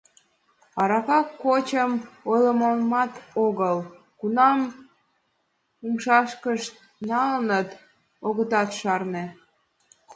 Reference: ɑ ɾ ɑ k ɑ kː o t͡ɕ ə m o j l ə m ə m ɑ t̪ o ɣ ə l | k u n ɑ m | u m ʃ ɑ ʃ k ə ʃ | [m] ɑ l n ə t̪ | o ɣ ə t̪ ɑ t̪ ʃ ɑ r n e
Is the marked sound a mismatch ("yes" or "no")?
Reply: yes